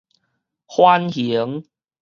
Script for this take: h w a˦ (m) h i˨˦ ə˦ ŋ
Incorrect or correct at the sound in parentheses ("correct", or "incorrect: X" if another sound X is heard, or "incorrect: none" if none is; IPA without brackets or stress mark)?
incorrect: n